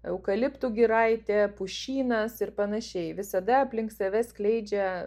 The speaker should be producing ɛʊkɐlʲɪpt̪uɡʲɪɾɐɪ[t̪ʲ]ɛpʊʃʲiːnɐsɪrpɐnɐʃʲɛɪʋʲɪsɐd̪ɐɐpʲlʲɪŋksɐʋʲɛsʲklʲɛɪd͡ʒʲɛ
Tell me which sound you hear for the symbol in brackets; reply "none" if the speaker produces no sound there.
t̪ʲ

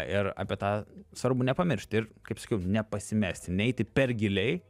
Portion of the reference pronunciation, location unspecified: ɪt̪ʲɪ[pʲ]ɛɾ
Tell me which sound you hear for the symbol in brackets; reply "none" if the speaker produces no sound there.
pʲ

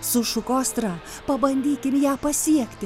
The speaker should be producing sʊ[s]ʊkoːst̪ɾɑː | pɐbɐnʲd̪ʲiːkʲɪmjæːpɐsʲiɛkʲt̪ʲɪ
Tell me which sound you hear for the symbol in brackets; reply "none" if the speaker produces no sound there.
ʃ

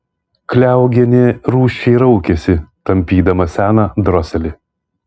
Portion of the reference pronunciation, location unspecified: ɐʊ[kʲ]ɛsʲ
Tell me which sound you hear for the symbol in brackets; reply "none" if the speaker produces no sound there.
kʲ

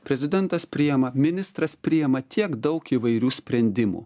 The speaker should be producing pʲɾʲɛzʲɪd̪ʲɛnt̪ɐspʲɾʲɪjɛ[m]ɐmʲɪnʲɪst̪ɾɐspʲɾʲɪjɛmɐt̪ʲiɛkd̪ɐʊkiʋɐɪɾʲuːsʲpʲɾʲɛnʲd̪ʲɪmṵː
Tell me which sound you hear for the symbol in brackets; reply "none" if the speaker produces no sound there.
m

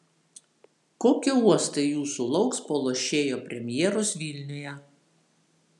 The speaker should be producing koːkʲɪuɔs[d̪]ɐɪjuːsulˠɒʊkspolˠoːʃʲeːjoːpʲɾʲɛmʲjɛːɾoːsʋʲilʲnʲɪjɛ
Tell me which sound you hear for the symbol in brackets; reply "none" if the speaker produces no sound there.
t̪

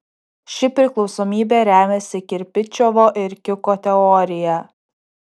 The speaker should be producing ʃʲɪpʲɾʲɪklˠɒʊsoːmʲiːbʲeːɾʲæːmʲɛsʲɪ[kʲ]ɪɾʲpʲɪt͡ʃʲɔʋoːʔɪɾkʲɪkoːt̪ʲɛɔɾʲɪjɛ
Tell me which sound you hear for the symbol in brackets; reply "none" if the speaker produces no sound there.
kʲ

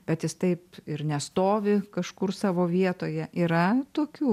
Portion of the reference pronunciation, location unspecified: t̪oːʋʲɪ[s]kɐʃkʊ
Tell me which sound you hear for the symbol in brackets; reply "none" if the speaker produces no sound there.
none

